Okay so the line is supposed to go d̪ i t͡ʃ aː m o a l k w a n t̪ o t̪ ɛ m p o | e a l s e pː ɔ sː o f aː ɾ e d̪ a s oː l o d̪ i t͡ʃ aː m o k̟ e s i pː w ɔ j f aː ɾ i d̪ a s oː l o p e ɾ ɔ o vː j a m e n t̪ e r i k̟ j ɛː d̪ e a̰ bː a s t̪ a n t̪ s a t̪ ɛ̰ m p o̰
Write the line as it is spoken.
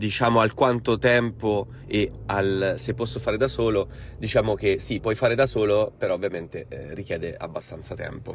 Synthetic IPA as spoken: d̪ i t͡ʃ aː m o a l k w a n t̪ o t̪ ɛ m p o | e a l s e pː ɔ sː o f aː ɾ e d̪ a s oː l o d̪ i t͡ʃ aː m o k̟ e s i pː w ɔ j f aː ɾ e d̪ a s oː l o p e ɾ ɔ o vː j a m e n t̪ e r i k̟ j ɛː d̪ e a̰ bː a s t̪ a n t̪ s a t̪ ɛ̰ m p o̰